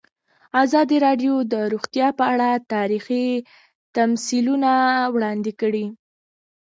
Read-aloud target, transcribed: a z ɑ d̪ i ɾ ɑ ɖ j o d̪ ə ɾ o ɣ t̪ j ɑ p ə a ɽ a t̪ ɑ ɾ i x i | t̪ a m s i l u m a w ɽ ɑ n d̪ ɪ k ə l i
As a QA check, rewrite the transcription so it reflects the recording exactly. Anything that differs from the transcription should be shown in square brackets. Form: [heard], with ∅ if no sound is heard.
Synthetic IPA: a z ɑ d̪ i ɾ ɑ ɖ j o d̪ ə ɾ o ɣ t̪ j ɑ p ə a ɽ a t̪ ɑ ɾ i x i | t̪ a m s i l u [n] a w ɽ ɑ n d̪ ɪ k ə [ɽ] i